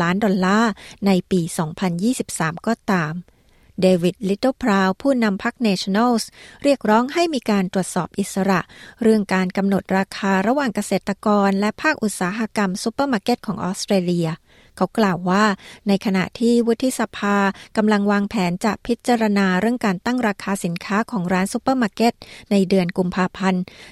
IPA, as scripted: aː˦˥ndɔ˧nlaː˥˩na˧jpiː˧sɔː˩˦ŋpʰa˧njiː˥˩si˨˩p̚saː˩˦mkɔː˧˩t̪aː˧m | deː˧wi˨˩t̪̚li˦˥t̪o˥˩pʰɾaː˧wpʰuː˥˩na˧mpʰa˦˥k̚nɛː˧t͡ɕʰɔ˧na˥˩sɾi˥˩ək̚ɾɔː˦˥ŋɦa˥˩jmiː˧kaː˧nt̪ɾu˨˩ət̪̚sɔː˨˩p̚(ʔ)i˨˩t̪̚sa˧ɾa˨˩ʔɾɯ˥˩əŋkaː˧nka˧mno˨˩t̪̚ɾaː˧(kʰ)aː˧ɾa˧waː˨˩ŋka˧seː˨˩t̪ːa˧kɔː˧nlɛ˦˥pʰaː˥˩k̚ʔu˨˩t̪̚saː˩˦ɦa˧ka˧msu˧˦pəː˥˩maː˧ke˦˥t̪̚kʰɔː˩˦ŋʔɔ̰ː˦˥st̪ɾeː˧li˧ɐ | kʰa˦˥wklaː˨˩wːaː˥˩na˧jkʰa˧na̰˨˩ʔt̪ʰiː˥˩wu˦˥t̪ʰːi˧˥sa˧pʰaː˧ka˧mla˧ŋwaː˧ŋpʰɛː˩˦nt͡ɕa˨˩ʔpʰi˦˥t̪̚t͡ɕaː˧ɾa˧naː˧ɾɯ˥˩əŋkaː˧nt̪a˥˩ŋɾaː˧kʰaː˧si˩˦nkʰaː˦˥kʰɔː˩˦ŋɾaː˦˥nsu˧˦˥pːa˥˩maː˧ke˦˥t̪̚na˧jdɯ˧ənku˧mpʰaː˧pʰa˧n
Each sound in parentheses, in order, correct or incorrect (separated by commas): correct, correct